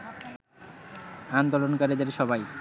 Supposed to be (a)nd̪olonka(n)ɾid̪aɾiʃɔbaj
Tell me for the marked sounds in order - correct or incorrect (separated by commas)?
correct, incorrect